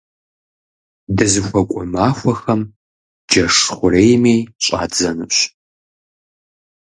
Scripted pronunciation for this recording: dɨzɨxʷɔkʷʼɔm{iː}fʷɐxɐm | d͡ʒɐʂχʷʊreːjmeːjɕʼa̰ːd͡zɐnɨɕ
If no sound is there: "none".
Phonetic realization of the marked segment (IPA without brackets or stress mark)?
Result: aː